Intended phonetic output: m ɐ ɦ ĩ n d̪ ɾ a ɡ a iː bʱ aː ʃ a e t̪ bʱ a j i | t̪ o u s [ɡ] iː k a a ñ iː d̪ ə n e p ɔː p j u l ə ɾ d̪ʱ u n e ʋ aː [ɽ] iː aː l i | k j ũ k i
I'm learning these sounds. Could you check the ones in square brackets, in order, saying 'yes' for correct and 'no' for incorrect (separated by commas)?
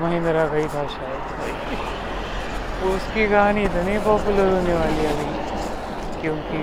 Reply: no, no